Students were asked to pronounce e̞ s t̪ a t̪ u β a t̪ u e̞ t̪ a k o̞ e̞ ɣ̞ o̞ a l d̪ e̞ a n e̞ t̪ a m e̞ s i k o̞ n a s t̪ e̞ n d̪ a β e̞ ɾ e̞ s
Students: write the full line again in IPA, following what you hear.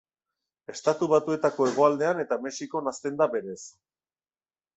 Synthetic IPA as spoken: e̞ s t̪ a t̪ u β a t̪ u e̞ t̪ a k o̞ e̞ ɣ̞ o̞ a l d̪ e̞ a n e̞ t̪ a m e̞ s i k o̞ n a s t̪ e̞ n d̪ a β e̞ ɾ e̞ s

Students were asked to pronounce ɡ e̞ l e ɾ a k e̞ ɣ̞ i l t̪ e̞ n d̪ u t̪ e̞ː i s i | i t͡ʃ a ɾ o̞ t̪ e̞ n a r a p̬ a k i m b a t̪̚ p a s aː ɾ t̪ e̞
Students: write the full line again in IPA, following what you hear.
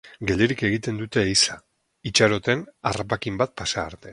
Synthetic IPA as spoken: ɡ e̞ l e ɾ i k e̞ ɣ̞ i t̪ e̞ n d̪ u t̪ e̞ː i s a | i t͡ʃ a ɾ o̞ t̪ e̞ n a r a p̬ a k i m b a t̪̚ p a s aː ɾ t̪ e̞

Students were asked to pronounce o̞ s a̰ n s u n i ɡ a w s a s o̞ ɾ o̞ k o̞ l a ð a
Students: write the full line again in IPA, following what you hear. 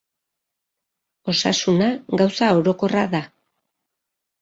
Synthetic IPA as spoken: o̞ s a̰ s u n a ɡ a w s a o̞ ɾ o̞ k o̞ r a ð a

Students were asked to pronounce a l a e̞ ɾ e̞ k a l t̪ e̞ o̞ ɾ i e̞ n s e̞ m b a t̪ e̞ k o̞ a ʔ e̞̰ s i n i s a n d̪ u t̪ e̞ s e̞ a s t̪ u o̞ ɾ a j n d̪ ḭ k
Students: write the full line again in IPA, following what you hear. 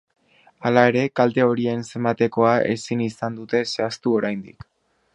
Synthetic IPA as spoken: a l a e̞ ɾ e̞ k a l t̪ e̞ o̞ ɾ i e̞ n s e̞ m b a t̪ e̞ k o̞ a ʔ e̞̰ s i n i s a n d̪ u t̪ e̞ s e̞ a s t̪ u o̞ ɾ a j n d̪ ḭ k

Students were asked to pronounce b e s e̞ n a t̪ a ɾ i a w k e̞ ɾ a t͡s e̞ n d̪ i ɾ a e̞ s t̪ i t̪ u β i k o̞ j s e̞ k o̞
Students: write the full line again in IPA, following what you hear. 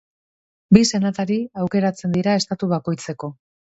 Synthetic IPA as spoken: b i s e̞ n a t̪ a ɾ i a w k e̞ ɾ a t͡s e̞ n d̪ i ɾ a e̞ s t̪ a t̪ u β a k o̞ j t͡s e̞ k o̞

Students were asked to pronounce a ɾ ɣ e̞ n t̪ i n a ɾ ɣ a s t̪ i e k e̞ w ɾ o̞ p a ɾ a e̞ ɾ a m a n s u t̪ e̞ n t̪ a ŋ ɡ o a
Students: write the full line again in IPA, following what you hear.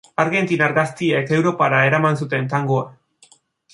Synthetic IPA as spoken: a ɾ ɣ e̞ n t̪ i n a ɾ ɣ a s t̪ i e k e̞ w ɾ o̞ p a ɾ a e̞ ɾ a m a n s u t̪ e̞ n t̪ a ŋ ɡ o a

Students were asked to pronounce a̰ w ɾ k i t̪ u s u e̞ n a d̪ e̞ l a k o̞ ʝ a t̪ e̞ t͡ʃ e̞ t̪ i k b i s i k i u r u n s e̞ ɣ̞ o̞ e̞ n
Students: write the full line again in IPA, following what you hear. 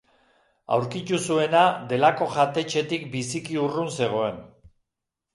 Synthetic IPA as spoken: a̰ w ɾ k i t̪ u s u e̞ n a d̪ e̞ l a k o̞ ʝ a t̪ e̞ t͡ʃ e̞ t̪ i k b i s i k i u r u n s e̞ ɣ̞ o̞ e̞ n

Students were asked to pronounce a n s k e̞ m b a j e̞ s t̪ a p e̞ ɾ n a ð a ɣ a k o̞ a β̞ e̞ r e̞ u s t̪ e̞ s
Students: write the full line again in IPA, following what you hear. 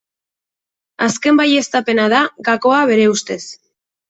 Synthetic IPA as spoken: a s k e̞ m b a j e̞ s t̪ a p e̞ n a ð a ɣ a k o̞ a β̞ e̞ ɾ e̞ u s t̪ e̞ s

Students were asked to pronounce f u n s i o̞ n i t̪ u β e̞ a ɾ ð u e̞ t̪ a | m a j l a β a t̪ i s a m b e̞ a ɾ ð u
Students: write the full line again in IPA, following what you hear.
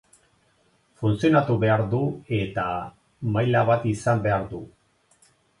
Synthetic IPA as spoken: f u n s i o̞ n a t̪ u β e̞ a ɾ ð u e̞ t̪ a | m a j l a β a t̪ i s a m b e̞ a ɾ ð u

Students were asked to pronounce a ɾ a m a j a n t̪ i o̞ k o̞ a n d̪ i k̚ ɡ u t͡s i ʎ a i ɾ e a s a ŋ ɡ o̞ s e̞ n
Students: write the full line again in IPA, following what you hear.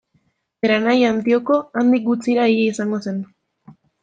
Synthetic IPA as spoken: e ɾ a n a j a n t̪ i o̞ k o̞ a n d̪ i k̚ ɡ u t͡s i ɾ a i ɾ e i s a ŋ ɡ o̞ s e̞ n

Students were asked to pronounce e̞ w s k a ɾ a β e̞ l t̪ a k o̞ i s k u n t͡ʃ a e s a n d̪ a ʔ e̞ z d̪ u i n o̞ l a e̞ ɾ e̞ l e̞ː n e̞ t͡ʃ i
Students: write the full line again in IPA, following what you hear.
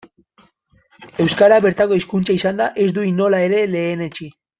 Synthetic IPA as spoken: e̞ w s k a ɾ a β e̞ ɾ t̪ a k o̞ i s k u n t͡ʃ a i s a n d̪ a ʔ e̞ z d̪ u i n o̞ l a e̞ ɾ e̞ l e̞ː n e̞ t͡ʃ i

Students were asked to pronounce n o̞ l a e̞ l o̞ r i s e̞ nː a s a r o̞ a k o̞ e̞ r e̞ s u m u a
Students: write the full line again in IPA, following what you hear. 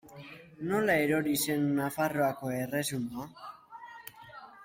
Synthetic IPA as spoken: n o̞ l a e̞ ɾ o̞ ɾ i s e̞ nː a f a r o̞ a k o̞ e̞ r e̞ s u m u a

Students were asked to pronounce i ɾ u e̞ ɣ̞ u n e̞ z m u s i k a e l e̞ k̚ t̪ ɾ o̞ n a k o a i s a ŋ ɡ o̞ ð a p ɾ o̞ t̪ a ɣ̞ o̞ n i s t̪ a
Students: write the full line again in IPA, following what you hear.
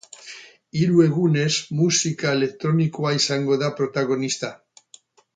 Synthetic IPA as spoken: i ɾ u e̞ ɣ̞ u n e̞ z m u s i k a e l e̞ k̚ t̪ ɾ o̞ n i k o a i s a ŋ ɡ o̞ ð a p ɾ o̞ t̪ a ɣ̞ o̞ n i s t̪ a

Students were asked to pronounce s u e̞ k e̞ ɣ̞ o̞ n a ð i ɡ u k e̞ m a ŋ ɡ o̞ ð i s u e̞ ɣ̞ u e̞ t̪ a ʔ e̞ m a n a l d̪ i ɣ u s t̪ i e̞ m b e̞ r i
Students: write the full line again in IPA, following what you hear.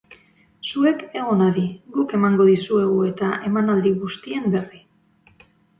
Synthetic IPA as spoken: s u e̞ k e̞ ɣ̞ o̞ n a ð i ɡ u k e̞ m a ŋ ɡ o̞ ð i s u e̞ ɣ̞ u e̞ t̪ a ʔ e̞ m a n a l d̪ i ɣ u s t̪ i e̞ m b e̞ r i

